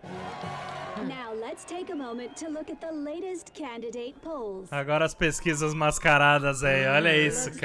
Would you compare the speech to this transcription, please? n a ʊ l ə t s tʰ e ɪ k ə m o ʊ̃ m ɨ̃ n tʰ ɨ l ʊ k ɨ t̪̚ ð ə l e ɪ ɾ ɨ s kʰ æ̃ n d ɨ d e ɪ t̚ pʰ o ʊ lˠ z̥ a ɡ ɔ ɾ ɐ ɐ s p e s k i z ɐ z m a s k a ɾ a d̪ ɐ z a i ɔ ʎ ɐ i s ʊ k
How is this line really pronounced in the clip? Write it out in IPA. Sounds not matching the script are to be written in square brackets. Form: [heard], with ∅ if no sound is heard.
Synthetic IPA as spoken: n a ʊ l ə t s tʰ e ɪ k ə m [õ] ʊ̃ m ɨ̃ n tʰ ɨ l ʊ k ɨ t̪̚ ð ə l e ɪ ɾ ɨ s kʰ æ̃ n d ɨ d e ɪ t̚ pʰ o ʊ lˠ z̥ a ɡ ɔ ɾ ɐ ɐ s p e s k i z ɐ z m a s k a ɾ a d̪ ɐ z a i ɔ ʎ ɐ i s ʊ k

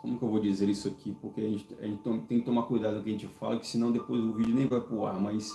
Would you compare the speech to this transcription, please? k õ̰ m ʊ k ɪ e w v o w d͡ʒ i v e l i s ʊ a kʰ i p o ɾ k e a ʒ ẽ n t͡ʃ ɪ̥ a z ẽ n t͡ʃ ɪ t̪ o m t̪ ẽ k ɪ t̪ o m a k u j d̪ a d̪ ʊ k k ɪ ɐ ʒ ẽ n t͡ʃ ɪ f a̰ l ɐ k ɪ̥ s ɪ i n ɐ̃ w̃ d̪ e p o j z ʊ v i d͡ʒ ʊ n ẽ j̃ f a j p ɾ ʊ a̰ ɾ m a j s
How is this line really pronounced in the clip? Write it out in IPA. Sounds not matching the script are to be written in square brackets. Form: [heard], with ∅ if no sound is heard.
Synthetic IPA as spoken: k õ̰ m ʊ k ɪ e w v o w d͡ʒ i [z] e [ɾ] i s ʊ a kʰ i p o ɾ k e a ʒ ẽ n t͡ʃ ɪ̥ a [ʒ] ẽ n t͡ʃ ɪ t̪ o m t̪ ẽ k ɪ t̪ o m a k u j d̪ a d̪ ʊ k k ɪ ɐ ʒ ẽ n t͡ʃ ɪ f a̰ l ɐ k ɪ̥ s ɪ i n ɐ̃ w̃ d̪ e p o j z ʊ v i d͡ʒ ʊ n ẽ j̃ [v] a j p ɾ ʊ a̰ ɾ m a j s

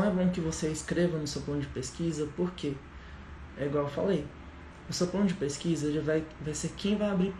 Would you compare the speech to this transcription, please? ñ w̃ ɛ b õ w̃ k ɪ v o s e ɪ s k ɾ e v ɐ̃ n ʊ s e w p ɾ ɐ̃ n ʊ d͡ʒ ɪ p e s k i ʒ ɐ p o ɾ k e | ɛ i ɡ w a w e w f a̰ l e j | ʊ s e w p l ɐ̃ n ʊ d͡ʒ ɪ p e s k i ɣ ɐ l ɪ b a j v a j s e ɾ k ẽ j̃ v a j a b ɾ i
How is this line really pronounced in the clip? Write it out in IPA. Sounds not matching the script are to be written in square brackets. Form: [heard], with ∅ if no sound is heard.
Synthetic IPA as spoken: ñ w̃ ɛ b õ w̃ k ɪ v o s e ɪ s k ɾ e v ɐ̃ n ʊ s e w p [l] ɐ̃ n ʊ d͡ʒ ɪ p e s k i [z] ɐ p o ɾ k e | ɛ i ɡ w a w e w f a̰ l e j | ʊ s e w p l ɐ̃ n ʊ d͡ʒ ɪ p e s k i [z] ɐ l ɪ [v] a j v a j s e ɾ k ẽ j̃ v a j a b ɾ i

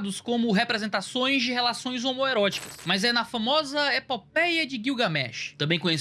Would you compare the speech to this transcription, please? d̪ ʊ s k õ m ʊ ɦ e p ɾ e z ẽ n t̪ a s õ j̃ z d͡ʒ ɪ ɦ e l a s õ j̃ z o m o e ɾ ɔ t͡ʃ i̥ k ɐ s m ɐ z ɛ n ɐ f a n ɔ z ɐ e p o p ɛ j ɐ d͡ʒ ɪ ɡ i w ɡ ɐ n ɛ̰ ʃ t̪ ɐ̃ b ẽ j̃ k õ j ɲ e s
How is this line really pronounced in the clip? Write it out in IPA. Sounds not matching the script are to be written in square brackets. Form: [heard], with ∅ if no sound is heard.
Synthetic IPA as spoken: d̪ ʊ s k õ m ʊ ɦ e p ɾ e z ẽ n t̪ a s õ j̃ z d͡ʒ ɪ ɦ e l a s õ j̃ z o m o e ɾ ɔ t͡ʃ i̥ k ɐ s m ɐ z ɛ n ɐ f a [m] ɔ z ɐ e p o p ɛ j ɐ d͡ʒ ɪ ɡ i w ɡ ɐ [m] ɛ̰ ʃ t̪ ɐ̃ b ẽ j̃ k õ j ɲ e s

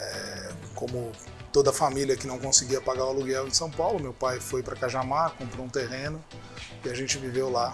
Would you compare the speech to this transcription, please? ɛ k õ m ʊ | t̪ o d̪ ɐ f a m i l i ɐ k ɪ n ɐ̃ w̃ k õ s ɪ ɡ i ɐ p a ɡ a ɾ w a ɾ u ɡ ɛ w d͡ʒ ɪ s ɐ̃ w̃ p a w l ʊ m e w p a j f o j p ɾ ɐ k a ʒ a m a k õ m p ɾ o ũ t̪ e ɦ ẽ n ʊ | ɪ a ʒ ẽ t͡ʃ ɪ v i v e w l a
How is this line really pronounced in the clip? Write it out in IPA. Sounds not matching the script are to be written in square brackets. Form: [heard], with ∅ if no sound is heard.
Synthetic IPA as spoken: ɛ k õ m ʊ | t̪ o d̪ ɐ f a m i l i ɐ k ɪ n ɐ̃ w̃ k õ s ɪ ɡ i ɐ p a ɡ a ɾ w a [l] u ɡ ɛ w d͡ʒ ɪ s ɐ̃ w̃ p a w l ʊ m e w p a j f o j p ɾ ɐ k a ʒ a m a k õ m p ɾ o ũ t̪ e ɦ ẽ n ʊ | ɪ a ʒ ẽ t͡ʃ ɪ v i v e w l a

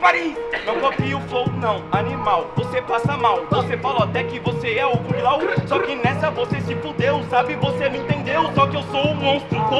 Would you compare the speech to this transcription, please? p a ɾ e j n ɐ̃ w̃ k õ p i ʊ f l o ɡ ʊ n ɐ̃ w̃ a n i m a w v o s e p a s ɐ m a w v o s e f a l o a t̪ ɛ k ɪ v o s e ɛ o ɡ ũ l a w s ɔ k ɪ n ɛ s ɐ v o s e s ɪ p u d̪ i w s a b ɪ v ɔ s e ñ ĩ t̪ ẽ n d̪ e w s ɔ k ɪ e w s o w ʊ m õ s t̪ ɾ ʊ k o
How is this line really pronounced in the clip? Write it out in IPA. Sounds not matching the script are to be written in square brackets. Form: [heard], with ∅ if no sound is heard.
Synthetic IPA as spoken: p a ɾ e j n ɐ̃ w̃ k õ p i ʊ f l o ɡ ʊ n ɐ̃ w̃ a n i m a w v o s e p a s ɐ m a w v o s e f a l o a t̪ ɛ k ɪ v o s e ɛ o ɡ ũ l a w s ɔ k ɪ n ɛ s ɐ v o s e s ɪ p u d̪ [e] w s a b ɪ v [o] s e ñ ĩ t̪ ẽ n d̪ e w s ɔ k ɪ e w s o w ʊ m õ s t̪ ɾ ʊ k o

